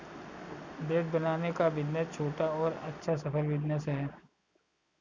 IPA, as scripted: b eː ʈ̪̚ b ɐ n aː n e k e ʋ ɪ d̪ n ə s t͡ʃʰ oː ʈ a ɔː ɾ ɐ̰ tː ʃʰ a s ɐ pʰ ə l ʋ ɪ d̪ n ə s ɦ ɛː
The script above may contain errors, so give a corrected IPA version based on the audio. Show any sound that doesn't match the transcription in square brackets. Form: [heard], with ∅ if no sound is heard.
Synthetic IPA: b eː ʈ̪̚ b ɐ n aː n e k [a] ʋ ɪ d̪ n ə s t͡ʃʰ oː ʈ a ɔː ɾ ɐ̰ tː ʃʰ a s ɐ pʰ ə l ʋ ɪ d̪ n ə s ɦ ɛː